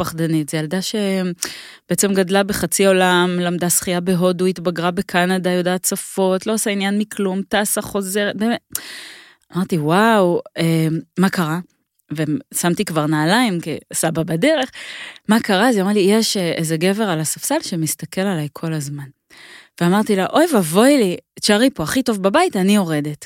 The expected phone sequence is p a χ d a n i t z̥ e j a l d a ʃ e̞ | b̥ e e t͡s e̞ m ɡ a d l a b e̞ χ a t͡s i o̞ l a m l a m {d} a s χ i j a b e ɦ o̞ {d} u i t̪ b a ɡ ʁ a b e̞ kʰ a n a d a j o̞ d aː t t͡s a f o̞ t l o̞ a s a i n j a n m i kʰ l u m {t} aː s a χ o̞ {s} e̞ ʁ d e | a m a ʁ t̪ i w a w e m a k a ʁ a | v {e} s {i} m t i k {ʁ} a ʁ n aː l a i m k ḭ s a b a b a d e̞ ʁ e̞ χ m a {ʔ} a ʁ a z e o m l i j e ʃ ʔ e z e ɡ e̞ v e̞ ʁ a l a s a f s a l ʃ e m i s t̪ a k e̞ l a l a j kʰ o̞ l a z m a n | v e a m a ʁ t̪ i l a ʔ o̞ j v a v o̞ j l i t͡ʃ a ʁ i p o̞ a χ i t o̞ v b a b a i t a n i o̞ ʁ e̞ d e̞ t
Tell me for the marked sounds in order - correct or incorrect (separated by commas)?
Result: correct, correct, correct, incorrect, correct, incorrect, incorrect, incorrect